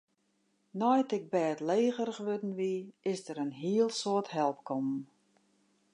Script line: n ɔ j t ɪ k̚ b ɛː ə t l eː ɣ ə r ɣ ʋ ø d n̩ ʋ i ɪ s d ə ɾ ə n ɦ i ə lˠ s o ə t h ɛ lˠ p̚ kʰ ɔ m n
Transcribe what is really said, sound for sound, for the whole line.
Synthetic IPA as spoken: n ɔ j t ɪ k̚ b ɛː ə t l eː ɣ ə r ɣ ʋ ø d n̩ ʋ i ɪ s d ə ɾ ə n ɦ i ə lˠ s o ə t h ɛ lˠ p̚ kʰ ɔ m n